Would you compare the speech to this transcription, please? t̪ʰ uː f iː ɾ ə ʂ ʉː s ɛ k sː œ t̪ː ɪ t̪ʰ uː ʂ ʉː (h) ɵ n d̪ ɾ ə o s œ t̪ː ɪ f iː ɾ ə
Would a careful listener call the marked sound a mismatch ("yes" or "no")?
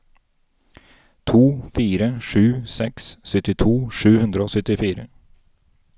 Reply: no